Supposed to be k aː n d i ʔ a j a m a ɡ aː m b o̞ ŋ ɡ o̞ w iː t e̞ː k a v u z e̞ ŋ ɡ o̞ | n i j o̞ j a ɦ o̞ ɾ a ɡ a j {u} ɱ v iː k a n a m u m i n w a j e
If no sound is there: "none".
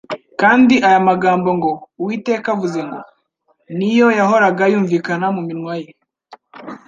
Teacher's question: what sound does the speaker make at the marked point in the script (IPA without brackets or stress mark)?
uː